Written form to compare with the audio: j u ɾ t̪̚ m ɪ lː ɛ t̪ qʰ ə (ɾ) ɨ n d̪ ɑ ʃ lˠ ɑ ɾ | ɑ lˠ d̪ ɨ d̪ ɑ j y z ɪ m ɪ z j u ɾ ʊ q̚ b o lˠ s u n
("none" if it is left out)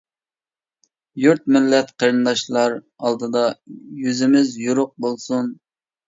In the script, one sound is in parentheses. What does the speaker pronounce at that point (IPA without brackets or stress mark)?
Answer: ɾ